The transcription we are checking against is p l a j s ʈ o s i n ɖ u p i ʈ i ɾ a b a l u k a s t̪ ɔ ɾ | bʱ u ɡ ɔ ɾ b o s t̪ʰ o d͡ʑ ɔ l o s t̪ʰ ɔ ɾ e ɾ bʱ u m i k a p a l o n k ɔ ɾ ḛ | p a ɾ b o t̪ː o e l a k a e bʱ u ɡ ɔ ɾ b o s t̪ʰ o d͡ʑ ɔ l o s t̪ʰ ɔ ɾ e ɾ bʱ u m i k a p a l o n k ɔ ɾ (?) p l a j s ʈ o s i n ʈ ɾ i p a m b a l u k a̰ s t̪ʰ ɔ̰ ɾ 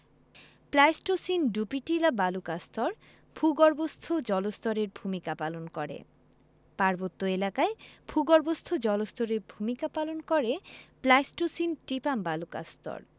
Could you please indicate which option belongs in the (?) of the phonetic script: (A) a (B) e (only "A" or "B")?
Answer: B